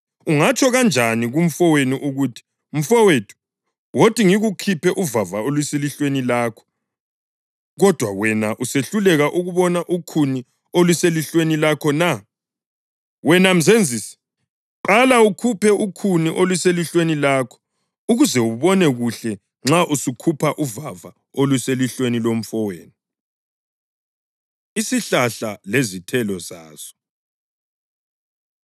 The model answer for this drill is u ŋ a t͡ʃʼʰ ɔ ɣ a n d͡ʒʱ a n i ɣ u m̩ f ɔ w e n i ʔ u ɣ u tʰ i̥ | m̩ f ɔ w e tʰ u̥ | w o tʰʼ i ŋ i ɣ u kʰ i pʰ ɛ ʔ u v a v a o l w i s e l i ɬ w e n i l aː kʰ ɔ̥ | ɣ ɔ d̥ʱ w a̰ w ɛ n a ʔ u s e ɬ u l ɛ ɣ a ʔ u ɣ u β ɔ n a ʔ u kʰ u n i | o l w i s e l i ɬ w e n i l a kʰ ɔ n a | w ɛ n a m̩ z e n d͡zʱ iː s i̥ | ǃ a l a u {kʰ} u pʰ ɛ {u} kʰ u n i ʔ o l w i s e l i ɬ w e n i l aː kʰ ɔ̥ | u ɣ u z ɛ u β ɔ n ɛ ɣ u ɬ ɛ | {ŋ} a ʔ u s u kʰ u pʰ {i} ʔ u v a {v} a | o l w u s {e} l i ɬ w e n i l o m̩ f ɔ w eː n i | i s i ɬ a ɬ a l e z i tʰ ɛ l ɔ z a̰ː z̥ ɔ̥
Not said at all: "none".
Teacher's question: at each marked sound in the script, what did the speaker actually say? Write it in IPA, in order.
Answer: kʰ, u, ŋ͡ǁ, a, v, e

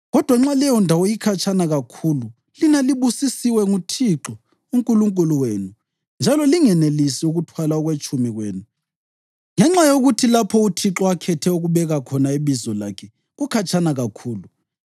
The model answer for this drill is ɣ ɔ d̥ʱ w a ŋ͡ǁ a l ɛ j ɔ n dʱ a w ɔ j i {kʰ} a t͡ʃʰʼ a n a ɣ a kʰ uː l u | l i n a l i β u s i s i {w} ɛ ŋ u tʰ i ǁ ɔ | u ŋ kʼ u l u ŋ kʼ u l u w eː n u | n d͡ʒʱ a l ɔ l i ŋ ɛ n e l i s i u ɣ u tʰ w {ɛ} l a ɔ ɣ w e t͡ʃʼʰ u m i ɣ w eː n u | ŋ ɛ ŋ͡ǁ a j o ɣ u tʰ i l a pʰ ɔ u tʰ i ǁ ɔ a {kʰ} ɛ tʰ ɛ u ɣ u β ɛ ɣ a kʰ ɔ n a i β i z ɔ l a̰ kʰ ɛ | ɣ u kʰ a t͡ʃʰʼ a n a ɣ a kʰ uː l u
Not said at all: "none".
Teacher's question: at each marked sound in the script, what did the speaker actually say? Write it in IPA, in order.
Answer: kʰ, w, a, kʰ

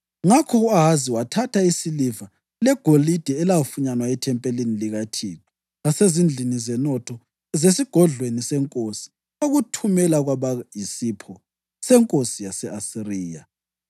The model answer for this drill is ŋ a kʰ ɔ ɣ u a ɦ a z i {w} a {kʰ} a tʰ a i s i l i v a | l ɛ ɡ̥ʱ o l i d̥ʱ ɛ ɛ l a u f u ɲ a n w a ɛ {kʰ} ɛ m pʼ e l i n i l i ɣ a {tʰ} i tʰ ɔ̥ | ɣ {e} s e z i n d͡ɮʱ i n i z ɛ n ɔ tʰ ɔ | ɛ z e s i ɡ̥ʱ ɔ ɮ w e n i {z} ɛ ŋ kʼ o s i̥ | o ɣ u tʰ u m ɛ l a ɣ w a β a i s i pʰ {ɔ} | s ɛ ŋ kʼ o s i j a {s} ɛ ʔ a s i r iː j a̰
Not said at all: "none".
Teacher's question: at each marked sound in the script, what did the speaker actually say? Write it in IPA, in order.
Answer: w, tʰ, tʰ, tʰ, a, s, ɔ, s

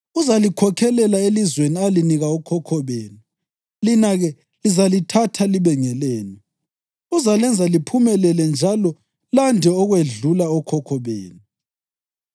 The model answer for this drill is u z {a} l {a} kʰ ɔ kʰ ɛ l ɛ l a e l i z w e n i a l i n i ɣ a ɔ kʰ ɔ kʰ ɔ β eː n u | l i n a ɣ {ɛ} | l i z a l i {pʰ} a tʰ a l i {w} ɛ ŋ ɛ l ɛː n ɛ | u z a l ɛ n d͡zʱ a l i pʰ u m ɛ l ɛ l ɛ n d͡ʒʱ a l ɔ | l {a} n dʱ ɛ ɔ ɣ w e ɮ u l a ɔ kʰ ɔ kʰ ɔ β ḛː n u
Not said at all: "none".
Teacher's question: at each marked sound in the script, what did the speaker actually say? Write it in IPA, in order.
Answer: a, i, ɛ, tʰ, β, a

